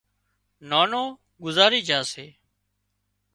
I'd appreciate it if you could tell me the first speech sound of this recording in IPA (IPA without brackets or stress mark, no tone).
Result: n